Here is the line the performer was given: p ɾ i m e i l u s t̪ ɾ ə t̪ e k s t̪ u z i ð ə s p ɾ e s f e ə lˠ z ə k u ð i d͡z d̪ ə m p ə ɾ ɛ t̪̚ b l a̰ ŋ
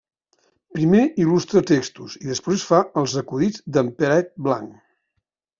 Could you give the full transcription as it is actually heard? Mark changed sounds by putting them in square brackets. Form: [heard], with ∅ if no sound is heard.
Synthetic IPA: p ɾ i m e i l u s t̪ ɾ ə t̪ e k s t̪ u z i ð ə s p ɾ e s f [a] ə lˠ z ə k u ð i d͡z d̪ ə m p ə ɾ ɛ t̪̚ b l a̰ ŋ